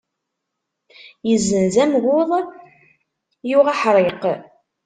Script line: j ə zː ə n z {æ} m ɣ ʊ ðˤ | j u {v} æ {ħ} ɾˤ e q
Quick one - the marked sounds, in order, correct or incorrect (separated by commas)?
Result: correct, incorrect, correct